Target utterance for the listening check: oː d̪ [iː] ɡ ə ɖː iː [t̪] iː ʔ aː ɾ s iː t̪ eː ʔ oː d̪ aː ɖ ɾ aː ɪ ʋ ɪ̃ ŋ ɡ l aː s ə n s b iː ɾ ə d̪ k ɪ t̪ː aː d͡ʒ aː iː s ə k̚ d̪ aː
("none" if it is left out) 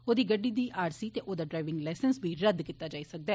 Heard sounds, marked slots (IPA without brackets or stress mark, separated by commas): iː, d̪